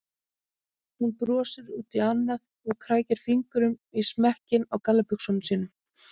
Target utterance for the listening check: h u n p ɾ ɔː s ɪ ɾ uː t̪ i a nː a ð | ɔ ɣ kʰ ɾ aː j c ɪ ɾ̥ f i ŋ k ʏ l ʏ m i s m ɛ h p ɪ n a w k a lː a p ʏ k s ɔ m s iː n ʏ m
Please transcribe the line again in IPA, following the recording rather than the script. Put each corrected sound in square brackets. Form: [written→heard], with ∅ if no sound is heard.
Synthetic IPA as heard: h u n p ɾ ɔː s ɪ ɾ uː t̪ i a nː a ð | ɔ ɣ kʰ ɾ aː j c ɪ ɾ̥ f i ŋ k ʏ [l→ɾ] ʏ m i s m ɛ h [p→c] ɪ n a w k a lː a p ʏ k s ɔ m s iː n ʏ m

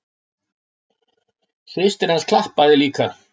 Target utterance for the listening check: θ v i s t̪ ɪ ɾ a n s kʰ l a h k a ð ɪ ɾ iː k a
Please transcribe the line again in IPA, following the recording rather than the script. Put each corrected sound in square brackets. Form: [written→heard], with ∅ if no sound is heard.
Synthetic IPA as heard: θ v [i→ɪ] s t̪ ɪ ɾ a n s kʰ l a h [k→p] a ð ɪ [ɾ→l] iː k a

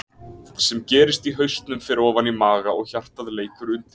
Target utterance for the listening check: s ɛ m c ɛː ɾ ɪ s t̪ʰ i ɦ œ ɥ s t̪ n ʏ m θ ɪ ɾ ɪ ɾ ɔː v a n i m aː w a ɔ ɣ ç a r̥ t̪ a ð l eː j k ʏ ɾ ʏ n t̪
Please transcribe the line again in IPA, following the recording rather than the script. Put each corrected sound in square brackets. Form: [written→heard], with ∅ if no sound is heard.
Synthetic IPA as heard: s ɛ m c ɛː ɾ ɪ s [t̪ʰ→t̪] i ɦ œ ɥ s t̪ n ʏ m [θ→f] ɪ ɾ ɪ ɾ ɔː v a n i m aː [w→ɣ] a ɔ ɣ ç a r̥ t̪ a ð l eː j k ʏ ɾ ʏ n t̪

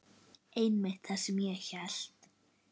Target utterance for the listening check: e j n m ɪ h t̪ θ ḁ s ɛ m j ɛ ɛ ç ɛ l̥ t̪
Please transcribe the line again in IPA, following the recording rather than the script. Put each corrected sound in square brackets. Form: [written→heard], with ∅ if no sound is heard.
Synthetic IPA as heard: e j n m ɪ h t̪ θ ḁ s ɛ m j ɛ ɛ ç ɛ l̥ t̪

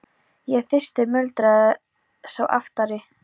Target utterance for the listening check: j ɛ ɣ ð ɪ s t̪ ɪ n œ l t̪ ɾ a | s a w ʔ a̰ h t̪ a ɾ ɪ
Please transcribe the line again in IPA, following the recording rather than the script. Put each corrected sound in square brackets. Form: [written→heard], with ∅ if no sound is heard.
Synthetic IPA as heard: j ɛ ɣ [ð→θ] ɪ s t̪ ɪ [n→m] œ l t̪ ɾ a | s a w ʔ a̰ [h→f] t̪ a ɾ ɪ

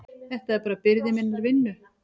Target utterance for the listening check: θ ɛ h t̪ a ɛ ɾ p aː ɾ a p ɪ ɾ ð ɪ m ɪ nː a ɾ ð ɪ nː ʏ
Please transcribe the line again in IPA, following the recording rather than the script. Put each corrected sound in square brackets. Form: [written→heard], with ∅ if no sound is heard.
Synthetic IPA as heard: θ ɛ h t̪ a ɛ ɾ p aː ɾ a p ɪ ɾ ð ɪ m ɪ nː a ɾ [ð→v] ɪ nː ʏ

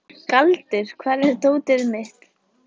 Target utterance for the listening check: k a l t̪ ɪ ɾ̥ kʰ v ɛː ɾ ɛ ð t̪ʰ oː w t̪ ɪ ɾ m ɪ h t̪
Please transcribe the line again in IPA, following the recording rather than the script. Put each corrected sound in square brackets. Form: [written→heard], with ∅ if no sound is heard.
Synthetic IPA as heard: k a l t̪ ɪ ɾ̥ kʰ v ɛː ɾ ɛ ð [t̪ʰ→t̪] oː w t̪ ɪ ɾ m ɪ h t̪

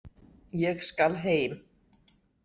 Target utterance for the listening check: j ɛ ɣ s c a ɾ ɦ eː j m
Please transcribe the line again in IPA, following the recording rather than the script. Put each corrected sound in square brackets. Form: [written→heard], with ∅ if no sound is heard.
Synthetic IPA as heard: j ɛ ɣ s [c→k] a [ɾ→l] ɦ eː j m

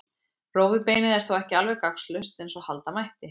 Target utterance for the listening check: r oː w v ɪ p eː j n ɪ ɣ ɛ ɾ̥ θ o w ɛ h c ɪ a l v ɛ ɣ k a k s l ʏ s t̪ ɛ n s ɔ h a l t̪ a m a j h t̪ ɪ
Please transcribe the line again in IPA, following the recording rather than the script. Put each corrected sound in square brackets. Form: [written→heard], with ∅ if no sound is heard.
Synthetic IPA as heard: r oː w v ɪ p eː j n ɪ [ɣ→ð] ɛ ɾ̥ θ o w ɛ h c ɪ a l v ɛ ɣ k a k s l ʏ s t̪ ɛ n s ɔ h a l t̪ a m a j h t̪ ɪ

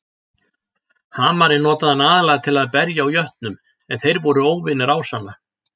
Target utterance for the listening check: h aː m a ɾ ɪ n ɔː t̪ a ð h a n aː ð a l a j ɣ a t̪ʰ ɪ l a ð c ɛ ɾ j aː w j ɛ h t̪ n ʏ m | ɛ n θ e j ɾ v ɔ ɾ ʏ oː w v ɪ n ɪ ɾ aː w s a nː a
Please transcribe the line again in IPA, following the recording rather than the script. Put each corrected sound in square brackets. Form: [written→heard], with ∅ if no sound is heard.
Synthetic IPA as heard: h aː m a ɾ ɪ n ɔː t̪ a ð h a n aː ð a l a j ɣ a t̪ʰ ɪ l a ð [c→p] ɛ ɾ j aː w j [ɛ→œ] h t̪ n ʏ m | ɛ n θ e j ɾ v ɔ ɾ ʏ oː w v ɪ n ɪ ɾ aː w s a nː a

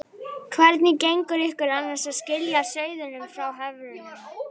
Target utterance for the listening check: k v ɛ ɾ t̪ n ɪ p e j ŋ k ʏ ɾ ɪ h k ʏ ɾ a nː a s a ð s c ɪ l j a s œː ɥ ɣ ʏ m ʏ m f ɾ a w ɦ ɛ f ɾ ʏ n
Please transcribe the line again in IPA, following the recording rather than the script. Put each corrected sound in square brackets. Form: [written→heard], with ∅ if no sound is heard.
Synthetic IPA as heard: [k→kʰ] v ɛ ɾ t̪ n ɪ [p→c] e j ŋ k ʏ ɾ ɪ h k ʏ ɾ a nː a s a ð s c ɪ l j a s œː ɥ [ɣ→ð] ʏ [m→n] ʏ m f ɾ a w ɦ ɛ [f→v] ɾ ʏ n

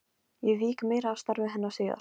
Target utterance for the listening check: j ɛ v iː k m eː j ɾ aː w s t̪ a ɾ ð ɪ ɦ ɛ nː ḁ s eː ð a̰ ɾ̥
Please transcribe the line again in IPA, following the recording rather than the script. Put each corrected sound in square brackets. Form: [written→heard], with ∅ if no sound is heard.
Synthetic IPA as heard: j ɛ v iː k m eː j ɾ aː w s t̪ a ɾ [ð→v] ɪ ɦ ɛ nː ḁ s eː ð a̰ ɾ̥

